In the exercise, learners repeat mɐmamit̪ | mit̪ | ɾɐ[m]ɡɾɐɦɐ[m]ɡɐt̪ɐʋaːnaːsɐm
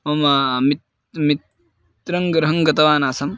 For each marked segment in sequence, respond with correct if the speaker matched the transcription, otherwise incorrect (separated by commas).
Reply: incorrect, incorrect